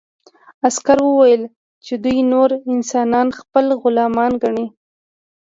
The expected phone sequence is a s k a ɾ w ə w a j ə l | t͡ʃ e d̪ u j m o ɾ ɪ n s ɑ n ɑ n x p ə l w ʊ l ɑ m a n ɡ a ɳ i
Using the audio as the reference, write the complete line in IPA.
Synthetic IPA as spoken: a s k a ɾ w ə w a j ə l | t͡ʃ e d̪ u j n o ɾ ɪ n s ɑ n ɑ n x p ə l ɣ ʊ l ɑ m ɑ n ɡ a ɳ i